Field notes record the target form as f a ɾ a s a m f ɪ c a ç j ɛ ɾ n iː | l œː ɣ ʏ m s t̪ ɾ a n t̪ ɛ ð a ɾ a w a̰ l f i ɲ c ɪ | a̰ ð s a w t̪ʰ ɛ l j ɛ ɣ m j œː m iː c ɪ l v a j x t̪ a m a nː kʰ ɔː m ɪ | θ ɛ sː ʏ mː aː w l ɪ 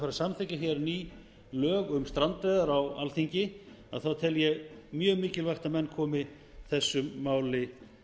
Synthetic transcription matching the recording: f a ɾ a s a m θ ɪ c a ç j ɛ ɾ n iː | l œː ɣ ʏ m s t̪ ɾ a n t̪ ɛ ð a ɾ a w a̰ l θ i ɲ c ɪ | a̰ ð θ a w t̪ʰ ɛ l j ɛ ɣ m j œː m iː c ɪ l v a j x t̪ a m ɛ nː kʰ ɔː m ɪ | θ ɛ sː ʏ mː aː w l ɪ